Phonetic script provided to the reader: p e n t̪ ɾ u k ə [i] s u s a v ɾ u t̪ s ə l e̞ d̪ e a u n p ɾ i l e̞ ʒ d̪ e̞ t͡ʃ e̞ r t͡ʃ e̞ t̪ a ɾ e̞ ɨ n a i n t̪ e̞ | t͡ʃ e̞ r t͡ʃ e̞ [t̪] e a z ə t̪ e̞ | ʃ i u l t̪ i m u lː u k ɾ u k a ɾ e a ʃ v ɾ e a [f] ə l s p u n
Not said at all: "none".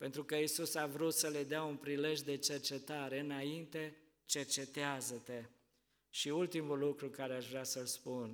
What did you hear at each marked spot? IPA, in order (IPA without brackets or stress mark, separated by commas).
i, t̪, s